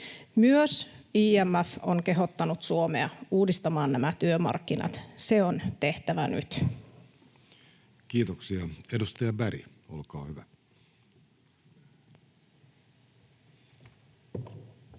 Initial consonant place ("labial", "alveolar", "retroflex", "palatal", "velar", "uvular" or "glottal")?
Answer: labial